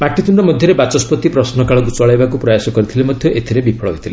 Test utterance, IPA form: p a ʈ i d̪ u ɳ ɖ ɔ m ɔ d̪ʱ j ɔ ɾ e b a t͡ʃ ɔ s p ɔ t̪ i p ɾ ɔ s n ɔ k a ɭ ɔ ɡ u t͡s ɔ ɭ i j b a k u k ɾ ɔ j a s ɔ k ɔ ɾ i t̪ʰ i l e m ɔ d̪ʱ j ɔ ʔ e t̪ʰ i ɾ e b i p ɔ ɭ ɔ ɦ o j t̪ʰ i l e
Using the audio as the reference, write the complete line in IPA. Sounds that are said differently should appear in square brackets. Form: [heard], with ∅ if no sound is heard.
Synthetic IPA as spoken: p a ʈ i [t̪] u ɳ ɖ ɔ m ɔ d̪ʱ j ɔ ɾ e b a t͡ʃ ɔ s p ɔ t̪ i p ɾ ɔ s n ɔ k a ɭ ɔ ɡ u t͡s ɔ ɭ [a] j b a k u [p] ɾ ɔ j a s ɔ k ɔ ɾ i t̪ʰ i l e m ɔ d̪ʱ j ɔ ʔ e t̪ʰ i ɾ e b i [pʰ] ɔ ɭ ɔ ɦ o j t̪ʰ i l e